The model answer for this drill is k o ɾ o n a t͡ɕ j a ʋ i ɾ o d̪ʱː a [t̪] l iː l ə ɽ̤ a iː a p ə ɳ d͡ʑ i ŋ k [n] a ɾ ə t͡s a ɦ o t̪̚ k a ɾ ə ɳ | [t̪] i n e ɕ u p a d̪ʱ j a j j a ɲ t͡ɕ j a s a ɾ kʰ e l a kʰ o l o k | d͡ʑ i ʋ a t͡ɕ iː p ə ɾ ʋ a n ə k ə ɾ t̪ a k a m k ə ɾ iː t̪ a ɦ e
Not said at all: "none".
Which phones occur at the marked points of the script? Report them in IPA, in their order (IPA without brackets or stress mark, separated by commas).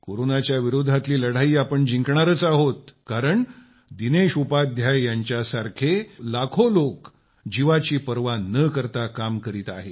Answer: t̪, ɳ, d̪